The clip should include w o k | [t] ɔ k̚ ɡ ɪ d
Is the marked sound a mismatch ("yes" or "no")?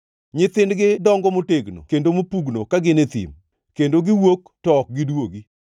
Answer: no